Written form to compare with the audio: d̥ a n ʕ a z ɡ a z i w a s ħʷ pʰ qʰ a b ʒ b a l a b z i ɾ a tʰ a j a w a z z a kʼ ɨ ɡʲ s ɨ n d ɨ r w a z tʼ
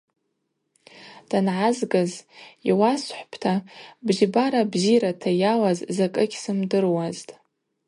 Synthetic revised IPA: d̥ a n ʕ a z ɡ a z i w a s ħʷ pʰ tʰ a b ʒ b a ɾ a b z i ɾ a tʰ a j a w a z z a kʼ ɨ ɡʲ s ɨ m d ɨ r w a z tʼ